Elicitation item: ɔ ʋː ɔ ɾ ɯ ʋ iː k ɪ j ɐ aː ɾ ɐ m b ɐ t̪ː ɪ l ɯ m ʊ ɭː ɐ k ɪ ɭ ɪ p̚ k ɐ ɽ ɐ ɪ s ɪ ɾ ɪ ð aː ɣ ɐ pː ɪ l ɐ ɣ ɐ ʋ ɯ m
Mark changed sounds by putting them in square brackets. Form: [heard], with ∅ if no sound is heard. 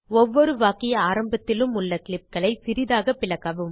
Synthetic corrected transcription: ɔ ʋː ɔ ɾ ɯ ʋ [aː] k ɪ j ɐ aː ɾ ɐ m b ɐ t̪ː ɪ l ɯ m ʊ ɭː ɐ k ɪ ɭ ɪ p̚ k ɐ [ɭ] ɐ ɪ s ɪ ɾ ɪ ð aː ɣ ɐ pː ɪ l ɐ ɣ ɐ ʋ ɯ m